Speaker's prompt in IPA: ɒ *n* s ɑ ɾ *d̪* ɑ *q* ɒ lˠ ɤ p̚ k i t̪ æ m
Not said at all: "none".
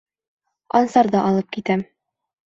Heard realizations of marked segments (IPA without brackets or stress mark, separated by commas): n, d̪, ʔ